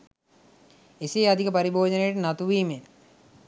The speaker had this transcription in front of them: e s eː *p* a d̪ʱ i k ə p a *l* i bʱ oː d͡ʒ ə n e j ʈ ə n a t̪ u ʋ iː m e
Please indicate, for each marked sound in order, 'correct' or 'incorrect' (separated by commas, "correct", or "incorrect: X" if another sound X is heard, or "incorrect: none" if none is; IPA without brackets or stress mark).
incorrect: none, incorrect: ɾ